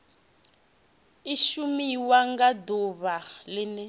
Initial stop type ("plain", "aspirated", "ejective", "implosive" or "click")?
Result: plain